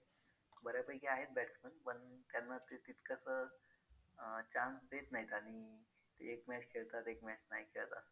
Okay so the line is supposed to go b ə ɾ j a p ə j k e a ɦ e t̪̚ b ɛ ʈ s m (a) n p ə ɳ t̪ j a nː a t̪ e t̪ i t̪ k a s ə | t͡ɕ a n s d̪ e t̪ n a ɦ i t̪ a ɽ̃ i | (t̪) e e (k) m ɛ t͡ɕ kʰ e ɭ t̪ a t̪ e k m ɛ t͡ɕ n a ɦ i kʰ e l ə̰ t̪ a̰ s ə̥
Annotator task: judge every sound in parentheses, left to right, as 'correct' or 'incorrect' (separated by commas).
incorrect, correct, correct